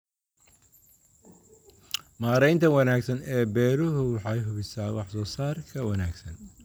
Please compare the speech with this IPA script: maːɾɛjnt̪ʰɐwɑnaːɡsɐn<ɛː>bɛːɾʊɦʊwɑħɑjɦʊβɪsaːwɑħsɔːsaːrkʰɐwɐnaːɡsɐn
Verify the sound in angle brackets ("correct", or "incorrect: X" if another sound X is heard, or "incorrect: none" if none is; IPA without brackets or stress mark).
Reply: correct